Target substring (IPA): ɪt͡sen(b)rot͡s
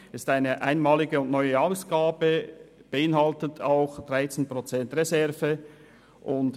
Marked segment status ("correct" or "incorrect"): incorrect